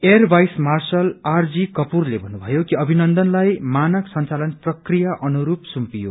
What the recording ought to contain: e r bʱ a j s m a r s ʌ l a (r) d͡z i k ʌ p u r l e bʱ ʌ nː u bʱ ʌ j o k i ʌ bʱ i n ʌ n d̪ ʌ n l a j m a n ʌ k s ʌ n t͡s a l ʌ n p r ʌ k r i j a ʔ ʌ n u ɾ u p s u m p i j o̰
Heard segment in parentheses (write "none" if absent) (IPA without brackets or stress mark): r